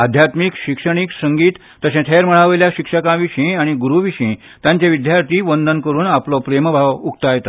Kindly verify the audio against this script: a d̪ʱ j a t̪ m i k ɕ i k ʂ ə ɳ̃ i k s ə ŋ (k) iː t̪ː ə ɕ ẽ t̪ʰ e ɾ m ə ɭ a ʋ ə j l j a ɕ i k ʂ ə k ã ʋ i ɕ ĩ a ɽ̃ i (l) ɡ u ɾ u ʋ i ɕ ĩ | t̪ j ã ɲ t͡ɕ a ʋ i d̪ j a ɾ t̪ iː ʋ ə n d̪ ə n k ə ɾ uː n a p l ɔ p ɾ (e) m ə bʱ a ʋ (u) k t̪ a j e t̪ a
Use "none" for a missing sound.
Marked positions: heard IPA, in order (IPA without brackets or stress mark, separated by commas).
ɡ, none, e, u